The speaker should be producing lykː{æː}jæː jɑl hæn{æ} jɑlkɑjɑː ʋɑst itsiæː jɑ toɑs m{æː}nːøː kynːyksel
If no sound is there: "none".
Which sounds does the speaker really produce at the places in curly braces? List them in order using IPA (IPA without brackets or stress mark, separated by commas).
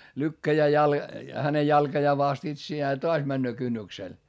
æ, e, æ